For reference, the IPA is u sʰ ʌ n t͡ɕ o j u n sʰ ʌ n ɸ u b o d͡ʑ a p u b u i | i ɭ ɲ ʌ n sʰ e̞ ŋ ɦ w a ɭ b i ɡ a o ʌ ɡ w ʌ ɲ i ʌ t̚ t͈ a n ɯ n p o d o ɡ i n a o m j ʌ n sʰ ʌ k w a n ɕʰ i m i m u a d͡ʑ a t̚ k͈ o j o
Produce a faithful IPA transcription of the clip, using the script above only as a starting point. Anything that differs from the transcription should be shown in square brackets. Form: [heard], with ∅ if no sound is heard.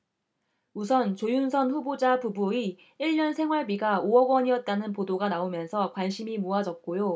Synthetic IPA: u sʰ ʌ n t͡ɕ o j u n sʰ ʌ n ɸ u b o d͡ʑ a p u b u i | i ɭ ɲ ʌ n sʰ e̞ ŋ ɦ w a ɭ b i ɡ a o ʌ ɡ w ʌ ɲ i ʌ t̚ t͈ a n ɯ n p o d o ɡ [a] n a o m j ʌ n sʰ ʌ k w a n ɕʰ i m i m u a d͡ʑ [ʌ] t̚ k͈ o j o